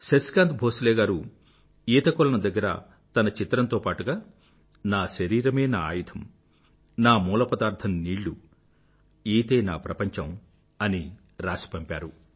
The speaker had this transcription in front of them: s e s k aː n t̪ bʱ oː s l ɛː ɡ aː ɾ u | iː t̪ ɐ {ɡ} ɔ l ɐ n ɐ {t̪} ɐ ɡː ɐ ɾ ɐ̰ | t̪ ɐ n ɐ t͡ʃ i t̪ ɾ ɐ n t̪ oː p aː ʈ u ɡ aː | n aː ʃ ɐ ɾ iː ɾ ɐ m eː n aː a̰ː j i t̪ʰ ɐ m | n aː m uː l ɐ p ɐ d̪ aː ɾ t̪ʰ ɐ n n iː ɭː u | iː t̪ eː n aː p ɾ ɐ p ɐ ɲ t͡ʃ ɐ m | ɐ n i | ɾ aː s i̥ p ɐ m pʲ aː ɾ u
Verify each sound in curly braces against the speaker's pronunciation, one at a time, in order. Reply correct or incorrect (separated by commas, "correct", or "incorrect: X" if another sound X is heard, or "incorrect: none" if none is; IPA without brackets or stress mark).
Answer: incorrect: k, incorrect: d̪